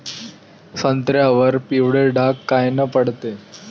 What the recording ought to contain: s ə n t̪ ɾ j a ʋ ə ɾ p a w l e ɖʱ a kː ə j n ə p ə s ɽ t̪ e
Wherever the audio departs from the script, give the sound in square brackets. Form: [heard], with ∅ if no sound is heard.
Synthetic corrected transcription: s ə n t̪ ɾ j a ʋ ə ɾ p [i] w [ɽ] e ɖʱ a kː [a] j n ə p ə [∅] ɽ t̪ e